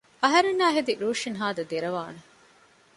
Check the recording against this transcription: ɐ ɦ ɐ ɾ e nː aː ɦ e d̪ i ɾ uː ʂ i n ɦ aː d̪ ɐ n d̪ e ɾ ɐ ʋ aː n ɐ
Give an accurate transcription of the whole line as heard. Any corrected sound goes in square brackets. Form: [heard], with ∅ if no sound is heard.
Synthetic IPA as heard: ɐ ɦ ɐ ɾ e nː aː ɦ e d̪ i ɾ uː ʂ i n ɦ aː d̪ ɐ [∅] d̪ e ɾ ɐ ʋ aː n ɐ